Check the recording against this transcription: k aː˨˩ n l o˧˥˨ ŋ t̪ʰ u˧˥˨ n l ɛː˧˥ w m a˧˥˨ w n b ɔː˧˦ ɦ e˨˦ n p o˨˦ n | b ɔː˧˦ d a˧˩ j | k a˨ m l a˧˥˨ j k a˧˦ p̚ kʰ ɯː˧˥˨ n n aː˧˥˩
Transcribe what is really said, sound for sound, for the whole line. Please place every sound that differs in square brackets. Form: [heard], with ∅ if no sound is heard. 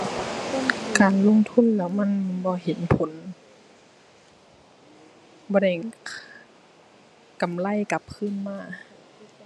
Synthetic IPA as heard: k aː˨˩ n l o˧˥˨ ŋ t̪ʰ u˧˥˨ n l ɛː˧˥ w m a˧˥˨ [∅] n b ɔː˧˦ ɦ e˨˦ n [pʰ] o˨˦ n | b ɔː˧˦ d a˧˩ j | k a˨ m l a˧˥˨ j k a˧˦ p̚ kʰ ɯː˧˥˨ n [m] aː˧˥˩